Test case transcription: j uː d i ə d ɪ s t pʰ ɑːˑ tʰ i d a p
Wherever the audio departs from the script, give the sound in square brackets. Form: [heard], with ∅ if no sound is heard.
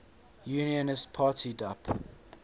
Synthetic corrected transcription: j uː [n] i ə [n] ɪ s t pʰ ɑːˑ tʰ i d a p